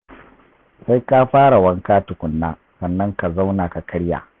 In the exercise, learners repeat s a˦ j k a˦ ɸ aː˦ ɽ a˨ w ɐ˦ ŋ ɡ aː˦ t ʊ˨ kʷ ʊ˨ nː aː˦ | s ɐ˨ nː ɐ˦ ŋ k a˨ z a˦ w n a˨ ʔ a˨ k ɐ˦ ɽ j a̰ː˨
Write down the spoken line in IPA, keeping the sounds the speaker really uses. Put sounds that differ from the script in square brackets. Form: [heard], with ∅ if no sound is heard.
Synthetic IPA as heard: s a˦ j k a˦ ɸ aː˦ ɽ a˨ w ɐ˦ ŋ [k] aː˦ t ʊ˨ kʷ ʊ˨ nː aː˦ | s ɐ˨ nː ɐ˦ ŋ k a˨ z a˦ w n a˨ [k] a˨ k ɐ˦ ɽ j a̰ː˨